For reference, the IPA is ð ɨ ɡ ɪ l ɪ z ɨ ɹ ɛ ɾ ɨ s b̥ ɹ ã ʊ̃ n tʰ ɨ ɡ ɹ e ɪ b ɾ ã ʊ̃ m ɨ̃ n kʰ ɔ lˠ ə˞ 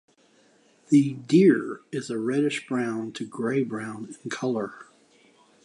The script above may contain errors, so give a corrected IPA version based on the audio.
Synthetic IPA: ð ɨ d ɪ ɹ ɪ z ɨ ɹ ɛ ɾ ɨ ʃ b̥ ɹ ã ʊ̃ n tʰ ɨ ɡ ɹ e ɪ b ɹ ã ʊ̃ n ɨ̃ n kʰ ʌ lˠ ə˞